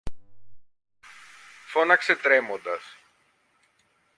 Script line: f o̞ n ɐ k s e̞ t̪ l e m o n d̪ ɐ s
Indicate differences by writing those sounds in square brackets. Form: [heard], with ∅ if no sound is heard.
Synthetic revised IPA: f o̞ n ɐ k s e̞ t̪ [ɾ] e m o n d̪ ɐ s